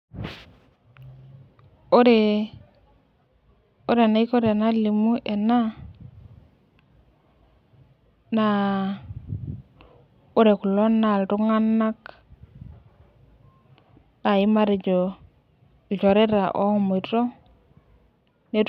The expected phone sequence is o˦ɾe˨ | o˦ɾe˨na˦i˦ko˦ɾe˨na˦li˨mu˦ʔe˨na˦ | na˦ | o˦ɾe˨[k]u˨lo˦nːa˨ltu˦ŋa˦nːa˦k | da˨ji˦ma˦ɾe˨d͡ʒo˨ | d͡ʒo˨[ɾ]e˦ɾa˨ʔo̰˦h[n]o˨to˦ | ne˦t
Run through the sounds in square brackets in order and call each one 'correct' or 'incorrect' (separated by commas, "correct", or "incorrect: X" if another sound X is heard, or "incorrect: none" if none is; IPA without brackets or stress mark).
correct, correct, incorrect: m